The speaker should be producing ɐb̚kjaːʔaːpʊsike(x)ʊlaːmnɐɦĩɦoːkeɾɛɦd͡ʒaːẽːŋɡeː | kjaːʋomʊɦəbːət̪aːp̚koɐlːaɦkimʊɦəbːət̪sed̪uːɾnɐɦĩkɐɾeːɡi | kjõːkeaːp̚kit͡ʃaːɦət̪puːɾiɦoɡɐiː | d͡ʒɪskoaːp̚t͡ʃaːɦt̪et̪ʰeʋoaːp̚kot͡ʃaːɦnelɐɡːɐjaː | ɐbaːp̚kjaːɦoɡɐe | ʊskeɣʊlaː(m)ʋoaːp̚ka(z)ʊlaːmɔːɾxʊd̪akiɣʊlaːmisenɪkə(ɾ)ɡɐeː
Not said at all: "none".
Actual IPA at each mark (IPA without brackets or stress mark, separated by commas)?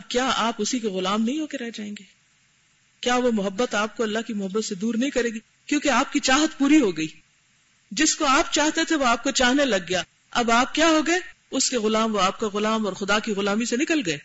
ɣ, m, ɣ, l